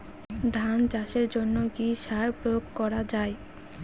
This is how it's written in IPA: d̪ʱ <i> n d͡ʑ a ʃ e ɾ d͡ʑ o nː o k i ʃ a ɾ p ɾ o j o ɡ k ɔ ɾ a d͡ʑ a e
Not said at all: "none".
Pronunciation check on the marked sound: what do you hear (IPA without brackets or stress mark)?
a